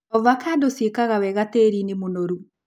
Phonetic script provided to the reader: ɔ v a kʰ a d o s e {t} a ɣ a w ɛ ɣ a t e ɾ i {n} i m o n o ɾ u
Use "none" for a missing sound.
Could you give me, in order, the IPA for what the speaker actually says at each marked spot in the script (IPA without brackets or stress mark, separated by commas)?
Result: k, n